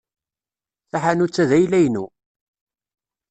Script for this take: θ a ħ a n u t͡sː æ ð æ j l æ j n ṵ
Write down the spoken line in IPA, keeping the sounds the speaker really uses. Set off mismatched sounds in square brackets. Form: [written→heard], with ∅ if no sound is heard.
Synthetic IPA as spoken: θ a ħ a n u t͡sː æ ð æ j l æ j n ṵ